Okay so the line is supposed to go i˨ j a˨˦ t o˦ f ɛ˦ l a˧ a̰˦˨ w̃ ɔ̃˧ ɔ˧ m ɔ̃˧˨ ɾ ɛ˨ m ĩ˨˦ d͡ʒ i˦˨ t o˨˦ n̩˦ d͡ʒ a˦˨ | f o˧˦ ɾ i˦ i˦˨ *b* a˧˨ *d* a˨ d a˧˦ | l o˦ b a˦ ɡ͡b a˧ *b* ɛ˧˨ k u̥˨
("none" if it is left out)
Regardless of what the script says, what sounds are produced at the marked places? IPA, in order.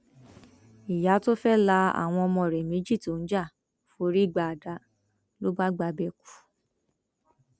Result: ɡ͡b, none, b

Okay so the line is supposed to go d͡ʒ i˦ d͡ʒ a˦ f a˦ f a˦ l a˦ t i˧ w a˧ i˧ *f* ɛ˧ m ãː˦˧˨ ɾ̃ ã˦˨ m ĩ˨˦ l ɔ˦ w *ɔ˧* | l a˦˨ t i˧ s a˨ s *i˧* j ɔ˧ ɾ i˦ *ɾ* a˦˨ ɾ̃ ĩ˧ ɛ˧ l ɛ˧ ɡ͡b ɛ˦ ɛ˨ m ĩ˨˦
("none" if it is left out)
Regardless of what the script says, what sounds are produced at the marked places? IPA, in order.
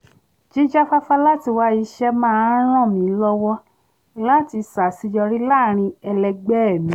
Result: ʃ, ɔ˧, i˧, l

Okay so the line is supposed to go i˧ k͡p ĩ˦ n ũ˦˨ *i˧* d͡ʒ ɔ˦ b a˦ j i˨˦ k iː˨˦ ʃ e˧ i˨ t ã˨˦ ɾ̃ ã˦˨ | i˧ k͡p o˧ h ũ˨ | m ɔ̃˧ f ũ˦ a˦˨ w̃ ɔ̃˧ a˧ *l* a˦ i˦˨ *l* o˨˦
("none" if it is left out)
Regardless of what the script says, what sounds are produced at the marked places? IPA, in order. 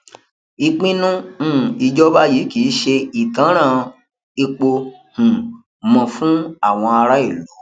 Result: i˧, ɾ, l

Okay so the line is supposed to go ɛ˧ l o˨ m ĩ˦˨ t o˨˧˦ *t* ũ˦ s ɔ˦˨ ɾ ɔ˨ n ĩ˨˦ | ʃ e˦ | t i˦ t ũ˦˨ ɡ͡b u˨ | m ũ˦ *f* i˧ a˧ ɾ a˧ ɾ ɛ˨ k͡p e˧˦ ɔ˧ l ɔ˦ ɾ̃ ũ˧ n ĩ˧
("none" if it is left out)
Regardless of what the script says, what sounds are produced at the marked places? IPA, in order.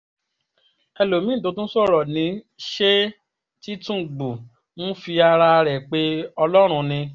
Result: t, f

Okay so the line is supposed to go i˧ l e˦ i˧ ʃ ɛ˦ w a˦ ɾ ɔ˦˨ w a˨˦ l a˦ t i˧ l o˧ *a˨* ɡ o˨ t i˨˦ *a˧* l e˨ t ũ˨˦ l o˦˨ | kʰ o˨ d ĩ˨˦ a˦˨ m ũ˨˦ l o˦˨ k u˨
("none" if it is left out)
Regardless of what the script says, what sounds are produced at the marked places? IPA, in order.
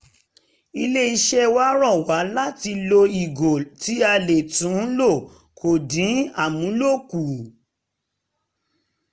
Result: i˨, a˧

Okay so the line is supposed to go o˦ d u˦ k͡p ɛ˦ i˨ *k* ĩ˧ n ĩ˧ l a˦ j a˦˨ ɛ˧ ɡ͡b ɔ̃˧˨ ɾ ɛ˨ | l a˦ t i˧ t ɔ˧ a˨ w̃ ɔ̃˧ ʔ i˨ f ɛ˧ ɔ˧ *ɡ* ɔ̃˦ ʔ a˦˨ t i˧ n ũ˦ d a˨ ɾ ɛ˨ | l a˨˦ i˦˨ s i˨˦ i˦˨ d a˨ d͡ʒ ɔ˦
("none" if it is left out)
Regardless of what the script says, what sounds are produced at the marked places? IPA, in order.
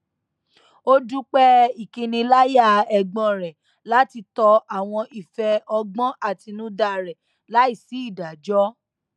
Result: k, ɡ͡b

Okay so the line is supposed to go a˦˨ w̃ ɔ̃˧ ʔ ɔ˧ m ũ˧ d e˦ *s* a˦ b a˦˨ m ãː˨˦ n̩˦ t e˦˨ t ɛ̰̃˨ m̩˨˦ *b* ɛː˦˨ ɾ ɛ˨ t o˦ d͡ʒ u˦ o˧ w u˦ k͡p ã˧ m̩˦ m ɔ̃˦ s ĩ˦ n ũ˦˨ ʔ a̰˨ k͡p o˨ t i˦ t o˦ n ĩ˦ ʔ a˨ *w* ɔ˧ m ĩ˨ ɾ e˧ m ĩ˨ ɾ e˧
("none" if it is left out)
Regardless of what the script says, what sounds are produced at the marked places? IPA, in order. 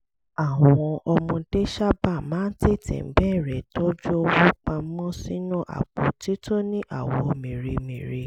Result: ʃ, b, w

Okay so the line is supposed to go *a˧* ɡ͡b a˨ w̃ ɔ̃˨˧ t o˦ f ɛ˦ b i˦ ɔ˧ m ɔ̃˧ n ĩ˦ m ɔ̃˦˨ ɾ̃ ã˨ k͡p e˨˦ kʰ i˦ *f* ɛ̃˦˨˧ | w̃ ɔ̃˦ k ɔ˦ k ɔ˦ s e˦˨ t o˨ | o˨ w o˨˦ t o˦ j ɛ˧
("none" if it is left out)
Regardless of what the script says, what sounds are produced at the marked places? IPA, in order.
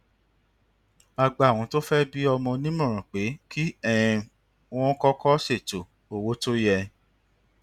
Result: a˧, none

